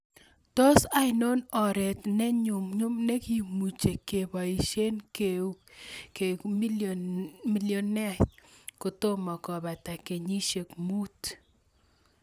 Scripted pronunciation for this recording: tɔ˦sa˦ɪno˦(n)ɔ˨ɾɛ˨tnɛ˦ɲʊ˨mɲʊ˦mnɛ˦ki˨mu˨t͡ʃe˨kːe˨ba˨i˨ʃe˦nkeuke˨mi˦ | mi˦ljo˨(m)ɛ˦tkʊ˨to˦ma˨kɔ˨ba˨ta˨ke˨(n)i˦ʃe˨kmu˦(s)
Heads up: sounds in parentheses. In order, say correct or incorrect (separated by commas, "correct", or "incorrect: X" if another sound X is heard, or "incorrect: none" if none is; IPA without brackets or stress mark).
correct, incorrect: n, incorrect: ɲ, incorrect: t